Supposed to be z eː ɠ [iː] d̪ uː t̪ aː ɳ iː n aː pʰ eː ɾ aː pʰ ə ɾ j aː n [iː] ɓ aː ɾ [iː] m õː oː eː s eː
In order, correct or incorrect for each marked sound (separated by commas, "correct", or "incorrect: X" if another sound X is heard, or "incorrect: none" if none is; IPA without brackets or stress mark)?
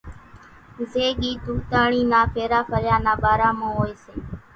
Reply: correct, incorrect: aː, incorrect: aː